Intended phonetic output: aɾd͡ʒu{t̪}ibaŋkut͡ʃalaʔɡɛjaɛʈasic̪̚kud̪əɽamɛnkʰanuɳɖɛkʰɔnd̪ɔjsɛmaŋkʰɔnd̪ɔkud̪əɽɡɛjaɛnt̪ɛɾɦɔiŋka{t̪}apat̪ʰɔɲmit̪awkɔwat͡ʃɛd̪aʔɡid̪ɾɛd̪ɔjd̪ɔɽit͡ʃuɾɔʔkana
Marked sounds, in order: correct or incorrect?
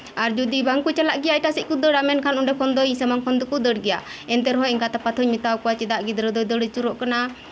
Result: incorrect, correct

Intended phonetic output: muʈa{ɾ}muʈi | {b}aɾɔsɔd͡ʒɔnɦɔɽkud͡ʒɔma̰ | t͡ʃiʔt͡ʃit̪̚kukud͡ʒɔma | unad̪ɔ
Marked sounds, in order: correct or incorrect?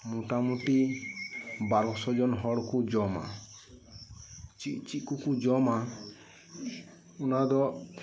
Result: incorrect, correct

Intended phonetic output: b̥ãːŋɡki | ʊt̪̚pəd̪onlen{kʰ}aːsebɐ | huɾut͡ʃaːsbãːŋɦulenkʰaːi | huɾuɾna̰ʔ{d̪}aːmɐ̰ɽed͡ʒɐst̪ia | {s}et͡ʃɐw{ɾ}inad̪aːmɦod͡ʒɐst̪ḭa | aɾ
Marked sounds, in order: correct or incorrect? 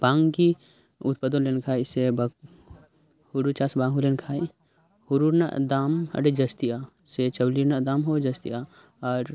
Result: correct, correct, correct, incorrect

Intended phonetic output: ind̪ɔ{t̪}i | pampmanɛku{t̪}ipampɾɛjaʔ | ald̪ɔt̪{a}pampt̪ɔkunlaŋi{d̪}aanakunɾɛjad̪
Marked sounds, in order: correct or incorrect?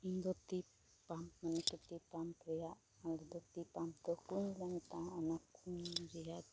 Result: correct, correct, incorrect, incorrect

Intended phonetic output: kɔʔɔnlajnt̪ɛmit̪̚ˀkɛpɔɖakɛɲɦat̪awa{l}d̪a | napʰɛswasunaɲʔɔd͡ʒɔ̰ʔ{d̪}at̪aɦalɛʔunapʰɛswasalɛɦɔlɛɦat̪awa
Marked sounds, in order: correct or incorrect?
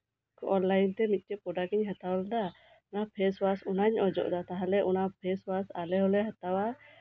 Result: correct, correct

